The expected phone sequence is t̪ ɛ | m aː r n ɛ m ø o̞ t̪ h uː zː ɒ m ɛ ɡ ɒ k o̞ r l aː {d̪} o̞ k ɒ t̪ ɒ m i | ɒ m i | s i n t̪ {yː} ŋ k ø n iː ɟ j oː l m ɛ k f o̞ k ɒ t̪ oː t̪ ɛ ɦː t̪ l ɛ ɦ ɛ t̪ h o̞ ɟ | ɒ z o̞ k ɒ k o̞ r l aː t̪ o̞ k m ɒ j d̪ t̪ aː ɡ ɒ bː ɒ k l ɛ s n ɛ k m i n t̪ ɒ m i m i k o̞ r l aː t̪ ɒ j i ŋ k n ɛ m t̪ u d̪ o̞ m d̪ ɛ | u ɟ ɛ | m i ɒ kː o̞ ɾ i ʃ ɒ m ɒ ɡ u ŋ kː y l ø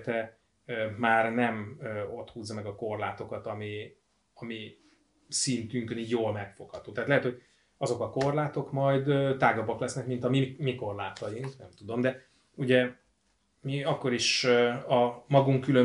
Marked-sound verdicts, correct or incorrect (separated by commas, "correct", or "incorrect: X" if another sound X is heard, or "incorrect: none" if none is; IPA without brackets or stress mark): incorrect: t̪, incorrect: y